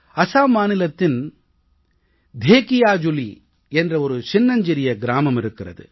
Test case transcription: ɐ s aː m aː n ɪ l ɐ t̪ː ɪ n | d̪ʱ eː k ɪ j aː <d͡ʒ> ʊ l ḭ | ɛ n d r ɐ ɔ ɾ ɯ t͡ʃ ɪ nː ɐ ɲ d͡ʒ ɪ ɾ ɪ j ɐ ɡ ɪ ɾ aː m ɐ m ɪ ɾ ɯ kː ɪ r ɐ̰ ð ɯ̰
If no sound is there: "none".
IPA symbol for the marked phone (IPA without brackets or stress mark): d͡ʒ